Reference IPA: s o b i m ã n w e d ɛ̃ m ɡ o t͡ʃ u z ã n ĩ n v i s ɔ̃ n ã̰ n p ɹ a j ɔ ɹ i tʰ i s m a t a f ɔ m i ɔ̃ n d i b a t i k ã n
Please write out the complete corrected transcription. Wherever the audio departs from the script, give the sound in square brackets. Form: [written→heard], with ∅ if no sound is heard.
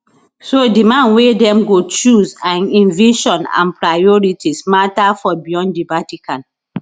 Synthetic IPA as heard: s o [b→d] i m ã n w e d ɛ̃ m ɡ o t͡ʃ u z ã n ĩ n v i [s→ʃ] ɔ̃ n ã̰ n p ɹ a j ɔ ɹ i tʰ i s m a t a f ɔ [m→b] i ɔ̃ n d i b a t i k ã n